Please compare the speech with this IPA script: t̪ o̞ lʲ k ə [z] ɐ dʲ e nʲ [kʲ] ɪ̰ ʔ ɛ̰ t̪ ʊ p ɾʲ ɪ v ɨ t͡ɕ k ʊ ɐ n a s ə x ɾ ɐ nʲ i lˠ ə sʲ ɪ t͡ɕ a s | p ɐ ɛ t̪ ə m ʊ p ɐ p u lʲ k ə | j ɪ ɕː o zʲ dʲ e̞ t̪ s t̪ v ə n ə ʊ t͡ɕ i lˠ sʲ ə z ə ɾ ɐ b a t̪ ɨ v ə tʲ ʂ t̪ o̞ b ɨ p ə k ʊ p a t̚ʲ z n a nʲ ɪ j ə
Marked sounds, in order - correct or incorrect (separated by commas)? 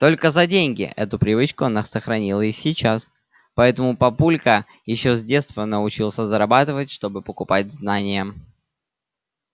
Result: correct, incorrect